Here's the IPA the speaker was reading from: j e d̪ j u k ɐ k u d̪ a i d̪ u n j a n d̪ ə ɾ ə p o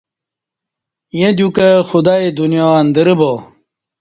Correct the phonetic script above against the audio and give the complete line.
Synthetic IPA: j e d̪ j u k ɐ x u d̪ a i d̪ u n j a n d̪ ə ɾ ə b o